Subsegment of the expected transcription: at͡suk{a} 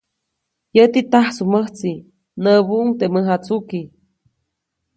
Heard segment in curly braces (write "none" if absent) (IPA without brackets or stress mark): i